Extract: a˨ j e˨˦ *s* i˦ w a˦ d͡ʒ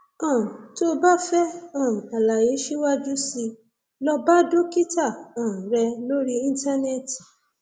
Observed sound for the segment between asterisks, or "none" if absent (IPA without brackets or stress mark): ʃ